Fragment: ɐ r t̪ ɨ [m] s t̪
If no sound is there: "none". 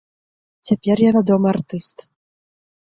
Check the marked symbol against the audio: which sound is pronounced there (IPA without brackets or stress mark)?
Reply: none